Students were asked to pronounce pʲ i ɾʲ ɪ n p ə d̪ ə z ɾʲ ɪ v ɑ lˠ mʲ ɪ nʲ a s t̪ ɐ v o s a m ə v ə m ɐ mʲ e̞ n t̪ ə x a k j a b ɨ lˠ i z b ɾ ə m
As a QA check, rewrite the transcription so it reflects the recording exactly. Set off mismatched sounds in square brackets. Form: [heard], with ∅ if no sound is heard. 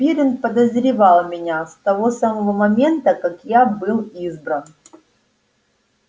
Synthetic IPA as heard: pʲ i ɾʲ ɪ n p ə d̪ ə z ɾʲ ɪ v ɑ lˠ mʲ ɪ nʲ a s t̪ ɐ v o s a m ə v ə m ɐ mʲ e̞ n t̪ ə [k] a k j a b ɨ lˠ i z b ɾ ə [n]